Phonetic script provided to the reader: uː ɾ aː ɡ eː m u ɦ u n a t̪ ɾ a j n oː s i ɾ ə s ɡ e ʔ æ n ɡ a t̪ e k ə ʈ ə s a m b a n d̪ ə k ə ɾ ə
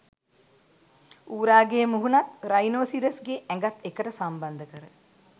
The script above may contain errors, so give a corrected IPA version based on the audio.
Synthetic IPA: uː ɾ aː ɡ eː m u ɦ u n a t̪ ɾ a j n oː s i ɾ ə s ɡ e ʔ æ ŋ ɡ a t̪ e k ə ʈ ə s a m b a n d̪ ə k ə ɾ ə